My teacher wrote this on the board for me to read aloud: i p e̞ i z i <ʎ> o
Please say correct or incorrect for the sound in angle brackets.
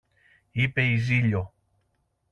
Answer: correct